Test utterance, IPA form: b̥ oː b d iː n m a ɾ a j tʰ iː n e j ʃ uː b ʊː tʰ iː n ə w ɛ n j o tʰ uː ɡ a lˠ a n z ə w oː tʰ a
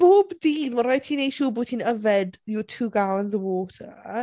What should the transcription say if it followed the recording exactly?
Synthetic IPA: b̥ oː b d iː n m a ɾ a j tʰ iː n e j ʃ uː b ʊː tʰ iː n ə v ɛ d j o tʰ uː ɡ a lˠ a n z ə w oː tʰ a